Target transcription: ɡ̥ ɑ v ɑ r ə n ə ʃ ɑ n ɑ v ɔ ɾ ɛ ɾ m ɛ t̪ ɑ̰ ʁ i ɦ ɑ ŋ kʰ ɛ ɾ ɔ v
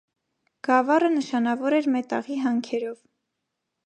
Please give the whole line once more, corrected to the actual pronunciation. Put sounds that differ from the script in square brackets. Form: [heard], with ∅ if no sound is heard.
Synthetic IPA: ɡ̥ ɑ v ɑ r ə n ə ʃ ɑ n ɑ v ɔ ɾ ɛ ɾ m ɛ t̪ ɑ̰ ʁ i ɦ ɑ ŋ kʰ ɛ ɾ ɔ v